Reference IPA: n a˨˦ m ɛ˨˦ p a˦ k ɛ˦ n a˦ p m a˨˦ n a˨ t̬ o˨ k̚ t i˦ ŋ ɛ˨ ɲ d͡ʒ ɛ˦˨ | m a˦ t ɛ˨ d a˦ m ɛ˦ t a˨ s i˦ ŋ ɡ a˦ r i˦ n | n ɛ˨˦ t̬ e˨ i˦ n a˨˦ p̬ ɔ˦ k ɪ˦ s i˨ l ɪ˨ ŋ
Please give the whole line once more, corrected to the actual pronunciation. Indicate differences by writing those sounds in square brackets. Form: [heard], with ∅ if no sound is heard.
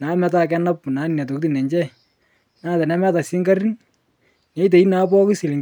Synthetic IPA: n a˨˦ m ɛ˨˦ [t] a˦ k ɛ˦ n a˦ p [n] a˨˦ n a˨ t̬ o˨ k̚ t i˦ [n] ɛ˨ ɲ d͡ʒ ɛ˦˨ | [n] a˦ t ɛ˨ [n] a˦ m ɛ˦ t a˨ s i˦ ŋ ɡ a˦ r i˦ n | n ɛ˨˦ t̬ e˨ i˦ n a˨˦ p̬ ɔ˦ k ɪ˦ s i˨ l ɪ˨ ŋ